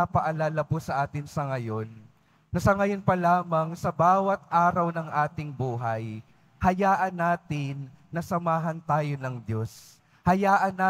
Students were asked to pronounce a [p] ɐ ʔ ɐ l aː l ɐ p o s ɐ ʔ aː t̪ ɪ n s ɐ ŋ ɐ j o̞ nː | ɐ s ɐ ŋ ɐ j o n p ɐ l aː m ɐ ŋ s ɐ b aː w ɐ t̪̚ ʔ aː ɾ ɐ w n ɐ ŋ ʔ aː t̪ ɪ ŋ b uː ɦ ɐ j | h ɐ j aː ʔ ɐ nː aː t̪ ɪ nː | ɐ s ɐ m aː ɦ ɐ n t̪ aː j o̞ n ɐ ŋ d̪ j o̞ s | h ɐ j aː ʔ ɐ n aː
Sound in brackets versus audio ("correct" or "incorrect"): correct